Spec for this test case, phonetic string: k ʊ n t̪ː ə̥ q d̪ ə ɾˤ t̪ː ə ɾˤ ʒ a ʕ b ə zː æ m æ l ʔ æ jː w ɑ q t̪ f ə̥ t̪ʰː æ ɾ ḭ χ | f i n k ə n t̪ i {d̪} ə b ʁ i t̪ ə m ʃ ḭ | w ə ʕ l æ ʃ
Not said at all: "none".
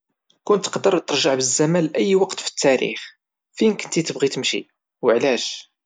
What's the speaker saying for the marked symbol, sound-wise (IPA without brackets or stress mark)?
t̪